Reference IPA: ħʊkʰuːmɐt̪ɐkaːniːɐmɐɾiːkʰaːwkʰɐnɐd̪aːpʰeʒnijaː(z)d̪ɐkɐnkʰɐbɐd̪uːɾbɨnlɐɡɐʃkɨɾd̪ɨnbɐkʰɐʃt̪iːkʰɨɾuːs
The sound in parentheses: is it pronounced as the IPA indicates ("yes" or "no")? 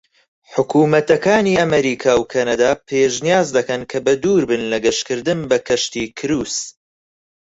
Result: yes